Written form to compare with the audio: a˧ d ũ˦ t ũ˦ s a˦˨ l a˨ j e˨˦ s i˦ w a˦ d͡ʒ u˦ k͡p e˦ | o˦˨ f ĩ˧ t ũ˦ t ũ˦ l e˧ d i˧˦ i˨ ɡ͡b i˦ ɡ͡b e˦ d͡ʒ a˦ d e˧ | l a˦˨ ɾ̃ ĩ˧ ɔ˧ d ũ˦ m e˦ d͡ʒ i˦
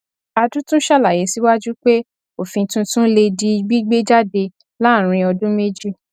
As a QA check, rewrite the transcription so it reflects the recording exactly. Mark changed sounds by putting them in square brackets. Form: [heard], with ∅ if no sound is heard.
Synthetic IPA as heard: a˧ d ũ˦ t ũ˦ [ʃ] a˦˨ l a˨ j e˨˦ s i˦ w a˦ d͡ʒ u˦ k͡p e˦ | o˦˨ f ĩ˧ t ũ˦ t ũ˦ l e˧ d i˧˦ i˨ ɡ͡b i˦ ɡ͡b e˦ d͡ʒ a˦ d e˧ | l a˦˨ ɾ̃ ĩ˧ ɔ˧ d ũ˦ m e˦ d͡ʒ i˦